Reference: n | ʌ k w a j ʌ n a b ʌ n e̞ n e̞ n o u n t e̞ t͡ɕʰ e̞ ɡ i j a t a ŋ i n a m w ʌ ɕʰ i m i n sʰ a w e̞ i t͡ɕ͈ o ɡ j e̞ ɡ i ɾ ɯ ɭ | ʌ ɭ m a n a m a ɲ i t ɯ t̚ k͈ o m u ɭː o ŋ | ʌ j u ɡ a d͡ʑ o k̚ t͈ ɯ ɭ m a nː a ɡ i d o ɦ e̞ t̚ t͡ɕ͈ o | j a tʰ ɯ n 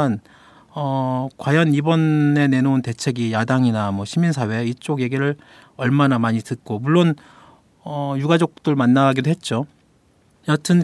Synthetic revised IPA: n | ʌ k w a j ʌ n i b ʌ n e̞ n e̞ n o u n t e̞ t͡ɕʰ e̞ ɡ i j a d a ŋ i n a m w ʌ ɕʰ i m i n sʰ a w e̞ i t͡ɕ͈ o ɡ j e̞ ɡ i ɾ ɯ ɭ | ʌ ɭ m a n a m a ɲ i t ɯ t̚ k͈ o m u ɭː o n | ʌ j u ɡ a d͡ʑ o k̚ t͈ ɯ ɭ m a nː a ɡ i d o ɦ e̞ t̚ t͡ɕ͈ o | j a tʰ ɯ n